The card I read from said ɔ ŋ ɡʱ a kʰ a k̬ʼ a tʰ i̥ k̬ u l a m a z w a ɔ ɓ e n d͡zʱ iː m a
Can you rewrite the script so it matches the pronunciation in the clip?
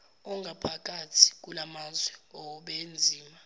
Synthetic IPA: ɔ ŋ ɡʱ a pʰ a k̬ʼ a tʰ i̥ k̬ u l a m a z w ɛ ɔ ɓ e n d͡zʱ iː m a

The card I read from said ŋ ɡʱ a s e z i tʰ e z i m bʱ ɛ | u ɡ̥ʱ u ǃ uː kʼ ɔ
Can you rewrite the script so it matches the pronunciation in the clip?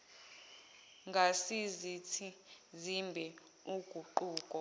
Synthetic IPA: ŋ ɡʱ a s i z i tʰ i z i m bʱ ɛ | u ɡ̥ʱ u ǃ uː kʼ ɔ

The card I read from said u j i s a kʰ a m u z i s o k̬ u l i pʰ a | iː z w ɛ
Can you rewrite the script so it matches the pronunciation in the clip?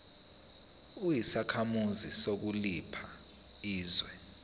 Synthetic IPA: u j i s a kʰ a m u z i s o k̬ u l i pʰ a | iː z w ɛ

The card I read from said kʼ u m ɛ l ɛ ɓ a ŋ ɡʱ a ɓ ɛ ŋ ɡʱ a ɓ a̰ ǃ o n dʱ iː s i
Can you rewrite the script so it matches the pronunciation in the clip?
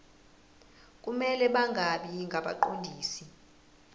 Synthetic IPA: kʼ u m ɛ l ɛ ɓ a ŋ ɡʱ a ɓ i ŋ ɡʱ a ɓ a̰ ǃ o n dʱ iː s i

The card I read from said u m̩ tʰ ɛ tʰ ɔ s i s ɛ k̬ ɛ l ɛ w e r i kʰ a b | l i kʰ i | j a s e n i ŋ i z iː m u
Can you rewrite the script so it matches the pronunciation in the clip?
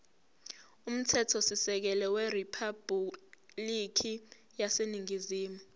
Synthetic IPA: u m̩ tʰ ɛ tʰ ɔ s i s ɛ k̬ ɛ l ɛ w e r i pʰ a b | l i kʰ i | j a s e n i ŋ i z iː m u

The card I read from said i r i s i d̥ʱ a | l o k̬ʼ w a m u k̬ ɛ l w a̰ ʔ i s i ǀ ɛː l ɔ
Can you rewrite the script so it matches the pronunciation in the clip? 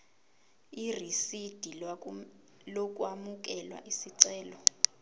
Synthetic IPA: i r i s i d̥ʱ i | l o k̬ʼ w a m u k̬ ɛ l w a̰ ʔ i s i ǀ ɛː l ɔ

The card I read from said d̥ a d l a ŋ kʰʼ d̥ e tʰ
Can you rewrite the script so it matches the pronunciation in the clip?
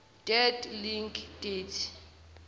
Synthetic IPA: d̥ ɛ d l i ŋ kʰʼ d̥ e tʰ

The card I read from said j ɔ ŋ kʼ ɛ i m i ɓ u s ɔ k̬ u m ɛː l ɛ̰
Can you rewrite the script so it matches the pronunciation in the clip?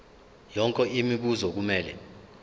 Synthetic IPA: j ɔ ŋ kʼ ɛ i m i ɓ u z ɔ k̬ u m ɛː l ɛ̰

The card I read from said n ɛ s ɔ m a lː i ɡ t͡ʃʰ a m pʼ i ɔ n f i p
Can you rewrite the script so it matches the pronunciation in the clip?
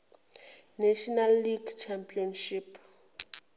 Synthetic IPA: n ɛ ʃ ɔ n a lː i ɡ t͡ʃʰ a m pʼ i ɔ n ʃ i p

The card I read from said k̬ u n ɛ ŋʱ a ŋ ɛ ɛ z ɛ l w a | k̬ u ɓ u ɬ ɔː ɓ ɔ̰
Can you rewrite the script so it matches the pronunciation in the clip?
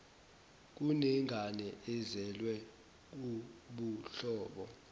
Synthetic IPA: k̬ u n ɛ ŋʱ a n ɛ ɛ z ɛ l w ɛ | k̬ u ɓ u ɬ ɔː ɓ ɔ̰

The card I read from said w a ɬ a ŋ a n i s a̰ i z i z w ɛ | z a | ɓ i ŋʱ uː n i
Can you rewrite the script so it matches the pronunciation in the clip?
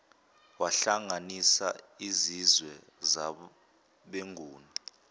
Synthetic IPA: w a ɬ a ŋ a n i s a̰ i z i z w ɛ | z a | ɓ e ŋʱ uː n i

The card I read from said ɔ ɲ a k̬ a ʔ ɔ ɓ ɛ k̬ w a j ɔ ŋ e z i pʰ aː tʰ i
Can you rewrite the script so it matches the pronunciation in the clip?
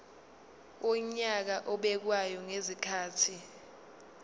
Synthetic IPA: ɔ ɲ a k̬ a ʔ ɔ ɓ ɛ k̬ w a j ɔ ŋ e z i kʰ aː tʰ i

